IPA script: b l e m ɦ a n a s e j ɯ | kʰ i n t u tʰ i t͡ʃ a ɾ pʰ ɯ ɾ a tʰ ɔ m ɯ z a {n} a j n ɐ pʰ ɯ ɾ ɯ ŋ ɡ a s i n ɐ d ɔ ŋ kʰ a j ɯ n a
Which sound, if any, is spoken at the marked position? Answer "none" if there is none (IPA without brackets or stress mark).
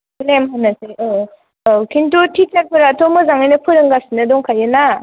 ŋ